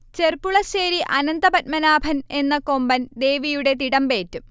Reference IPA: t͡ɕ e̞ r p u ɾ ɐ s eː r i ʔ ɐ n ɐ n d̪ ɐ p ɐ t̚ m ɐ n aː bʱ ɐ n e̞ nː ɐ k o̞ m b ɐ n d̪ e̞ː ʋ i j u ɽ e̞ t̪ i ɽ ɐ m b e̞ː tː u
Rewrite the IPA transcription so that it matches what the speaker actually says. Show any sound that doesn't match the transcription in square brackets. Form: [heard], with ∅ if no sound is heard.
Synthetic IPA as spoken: t͡ɕ e̞ r p u [ɭ] ɐ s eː [ɾ] i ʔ ɐ n ɐ n d̪ ɐ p ɐ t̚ m ɐ n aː bʱ ɐ n e̞ nː ɐ k o̞ m b ɐ n d̪ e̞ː ʋ i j u ɽ e̞ t̪ i ɽ ɐ m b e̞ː tː u